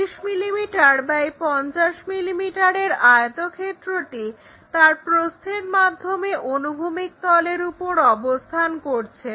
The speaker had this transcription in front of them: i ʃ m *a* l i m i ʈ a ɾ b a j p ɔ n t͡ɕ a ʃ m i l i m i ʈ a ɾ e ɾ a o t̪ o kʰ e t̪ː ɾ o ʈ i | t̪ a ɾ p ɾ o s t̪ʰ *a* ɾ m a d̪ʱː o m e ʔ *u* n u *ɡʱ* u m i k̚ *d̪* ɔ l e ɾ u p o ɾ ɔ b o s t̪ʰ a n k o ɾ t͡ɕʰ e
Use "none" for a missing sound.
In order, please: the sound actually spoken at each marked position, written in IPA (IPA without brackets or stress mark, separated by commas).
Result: i, e, o, bʱ, t̪